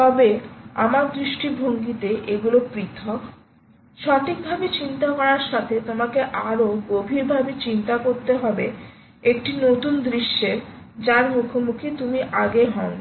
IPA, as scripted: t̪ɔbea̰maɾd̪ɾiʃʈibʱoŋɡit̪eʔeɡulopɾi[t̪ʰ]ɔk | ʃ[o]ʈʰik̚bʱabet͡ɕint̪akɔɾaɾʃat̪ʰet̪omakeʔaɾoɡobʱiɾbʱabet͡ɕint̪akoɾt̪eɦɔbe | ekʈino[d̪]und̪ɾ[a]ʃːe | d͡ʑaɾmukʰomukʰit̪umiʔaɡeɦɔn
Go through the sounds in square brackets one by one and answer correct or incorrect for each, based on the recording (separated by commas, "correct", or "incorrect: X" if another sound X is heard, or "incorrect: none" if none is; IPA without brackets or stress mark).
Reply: correct, incorrect: ɔ, incorrect: t̪, incorrect: i